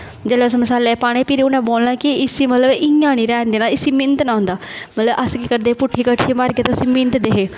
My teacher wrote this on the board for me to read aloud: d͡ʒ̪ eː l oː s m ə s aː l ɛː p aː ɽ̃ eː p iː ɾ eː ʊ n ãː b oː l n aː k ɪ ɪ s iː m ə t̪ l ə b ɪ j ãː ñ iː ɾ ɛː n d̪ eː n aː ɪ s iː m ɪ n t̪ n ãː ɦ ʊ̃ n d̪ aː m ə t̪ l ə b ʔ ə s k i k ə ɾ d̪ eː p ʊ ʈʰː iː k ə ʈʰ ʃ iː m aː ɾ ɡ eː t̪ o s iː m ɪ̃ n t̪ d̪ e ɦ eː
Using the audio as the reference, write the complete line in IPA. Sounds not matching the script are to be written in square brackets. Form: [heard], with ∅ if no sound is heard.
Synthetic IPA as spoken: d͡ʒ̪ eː l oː s m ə s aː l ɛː p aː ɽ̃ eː p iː ɾ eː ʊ n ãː b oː l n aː k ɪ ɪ s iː m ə t̪ l ə b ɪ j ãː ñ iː ɾ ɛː n d̪ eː n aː ɪ s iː m ɪ n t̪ n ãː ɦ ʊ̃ n d̪ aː m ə t̪ l ə b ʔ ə s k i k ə ɾ d̪ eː p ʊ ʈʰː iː k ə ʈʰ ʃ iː m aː ɾ ɡ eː t̪ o s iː m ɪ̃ n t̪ d̪ e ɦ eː